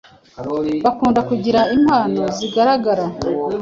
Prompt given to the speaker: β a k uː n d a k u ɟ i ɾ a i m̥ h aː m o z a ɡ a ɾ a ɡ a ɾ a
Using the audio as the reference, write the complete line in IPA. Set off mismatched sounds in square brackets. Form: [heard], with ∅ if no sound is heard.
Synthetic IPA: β a k uː n d a k u ɟ i ɾ a i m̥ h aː [n] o z [i] ɡ a ɾ a ɡ a ɾ a